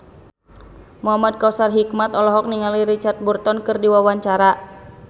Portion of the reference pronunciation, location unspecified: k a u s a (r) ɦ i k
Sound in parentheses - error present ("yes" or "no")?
no